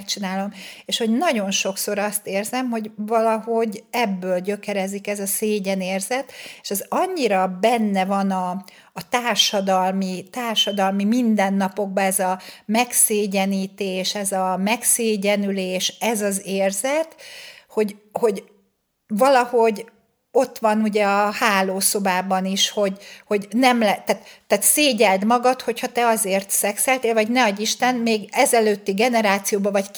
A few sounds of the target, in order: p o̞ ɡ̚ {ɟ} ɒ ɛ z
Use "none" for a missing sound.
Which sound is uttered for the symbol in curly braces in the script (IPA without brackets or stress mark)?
b